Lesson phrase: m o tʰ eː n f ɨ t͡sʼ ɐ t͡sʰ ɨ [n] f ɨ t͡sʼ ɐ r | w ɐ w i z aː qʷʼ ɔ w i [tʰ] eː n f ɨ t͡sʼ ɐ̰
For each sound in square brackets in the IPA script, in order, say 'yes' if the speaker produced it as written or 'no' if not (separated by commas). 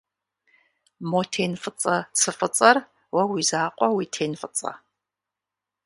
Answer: no, yes